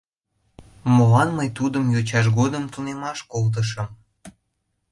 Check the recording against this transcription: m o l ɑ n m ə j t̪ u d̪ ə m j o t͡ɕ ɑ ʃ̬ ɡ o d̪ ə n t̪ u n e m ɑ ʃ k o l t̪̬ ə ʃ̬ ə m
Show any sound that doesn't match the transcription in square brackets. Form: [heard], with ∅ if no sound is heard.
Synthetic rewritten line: m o l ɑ n m ə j t̪ u d̪ ə m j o t͡ɕ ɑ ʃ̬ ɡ o d̪ ə [m] t̪ u n e m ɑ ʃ k o l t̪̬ ə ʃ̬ ə m